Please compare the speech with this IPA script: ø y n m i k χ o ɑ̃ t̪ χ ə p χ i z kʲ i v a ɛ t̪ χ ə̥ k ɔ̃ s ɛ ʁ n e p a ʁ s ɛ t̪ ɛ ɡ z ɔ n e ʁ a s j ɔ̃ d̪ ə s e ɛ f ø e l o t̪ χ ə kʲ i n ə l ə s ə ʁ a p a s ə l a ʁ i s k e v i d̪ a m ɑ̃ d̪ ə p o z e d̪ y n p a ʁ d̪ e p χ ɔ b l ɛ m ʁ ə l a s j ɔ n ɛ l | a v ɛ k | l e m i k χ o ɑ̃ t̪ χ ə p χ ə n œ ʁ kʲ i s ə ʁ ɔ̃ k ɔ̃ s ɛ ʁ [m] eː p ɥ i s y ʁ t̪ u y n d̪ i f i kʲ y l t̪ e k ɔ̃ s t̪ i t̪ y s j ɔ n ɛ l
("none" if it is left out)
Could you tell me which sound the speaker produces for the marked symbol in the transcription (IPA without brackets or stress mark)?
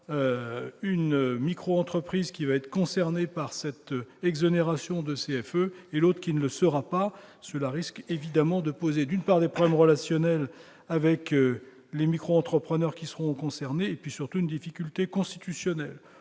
n